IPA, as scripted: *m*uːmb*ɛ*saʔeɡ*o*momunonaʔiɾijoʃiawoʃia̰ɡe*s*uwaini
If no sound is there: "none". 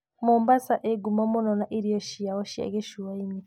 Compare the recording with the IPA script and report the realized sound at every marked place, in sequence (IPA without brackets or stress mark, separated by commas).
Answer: m, a, u, ʃ